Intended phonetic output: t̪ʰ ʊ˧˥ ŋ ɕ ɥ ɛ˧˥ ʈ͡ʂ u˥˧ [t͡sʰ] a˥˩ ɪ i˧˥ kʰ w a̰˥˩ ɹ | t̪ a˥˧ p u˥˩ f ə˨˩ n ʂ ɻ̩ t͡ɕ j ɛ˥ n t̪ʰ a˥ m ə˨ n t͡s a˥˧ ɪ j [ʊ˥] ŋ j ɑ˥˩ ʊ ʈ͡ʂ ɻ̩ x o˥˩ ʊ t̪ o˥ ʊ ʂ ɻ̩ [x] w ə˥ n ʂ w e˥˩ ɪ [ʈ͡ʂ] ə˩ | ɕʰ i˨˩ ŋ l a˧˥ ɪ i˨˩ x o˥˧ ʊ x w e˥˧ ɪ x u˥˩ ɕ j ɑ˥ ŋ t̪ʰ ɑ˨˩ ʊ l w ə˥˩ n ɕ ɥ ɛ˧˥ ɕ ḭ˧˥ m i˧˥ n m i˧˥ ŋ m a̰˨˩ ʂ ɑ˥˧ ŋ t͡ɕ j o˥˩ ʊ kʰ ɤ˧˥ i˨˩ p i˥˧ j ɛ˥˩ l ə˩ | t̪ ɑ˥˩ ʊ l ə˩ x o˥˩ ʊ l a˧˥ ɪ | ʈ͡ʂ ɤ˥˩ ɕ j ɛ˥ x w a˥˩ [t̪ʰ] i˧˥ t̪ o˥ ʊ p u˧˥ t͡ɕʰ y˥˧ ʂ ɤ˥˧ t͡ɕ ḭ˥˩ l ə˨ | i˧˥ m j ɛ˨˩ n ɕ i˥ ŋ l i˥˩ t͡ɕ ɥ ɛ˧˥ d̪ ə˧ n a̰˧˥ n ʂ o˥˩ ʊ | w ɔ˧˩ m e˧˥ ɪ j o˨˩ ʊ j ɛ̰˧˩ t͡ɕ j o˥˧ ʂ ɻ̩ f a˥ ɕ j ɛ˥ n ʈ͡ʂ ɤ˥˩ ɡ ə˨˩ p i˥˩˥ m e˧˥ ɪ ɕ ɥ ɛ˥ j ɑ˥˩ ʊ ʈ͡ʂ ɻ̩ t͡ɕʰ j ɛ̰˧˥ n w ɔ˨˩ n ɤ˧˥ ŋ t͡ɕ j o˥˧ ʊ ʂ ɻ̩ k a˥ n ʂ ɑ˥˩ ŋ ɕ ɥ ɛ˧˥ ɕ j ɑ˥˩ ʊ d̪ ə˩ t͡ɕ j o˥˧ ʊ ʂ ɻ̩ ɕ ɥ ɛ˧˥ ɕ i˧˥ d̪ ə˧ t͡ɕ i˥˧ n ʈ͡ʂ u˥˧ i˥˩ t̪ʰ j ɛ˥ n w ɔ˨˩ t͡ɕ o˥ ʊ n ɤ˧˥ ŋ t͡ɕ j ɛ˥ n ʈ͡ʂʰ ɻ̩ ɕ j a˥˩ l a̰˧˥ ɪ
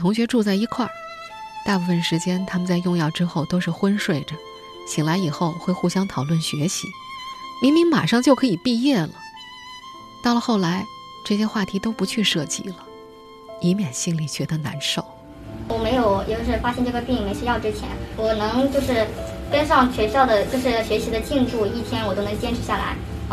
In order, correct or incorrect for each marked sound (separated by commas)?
incorrect, incorrect, correct, correct, correct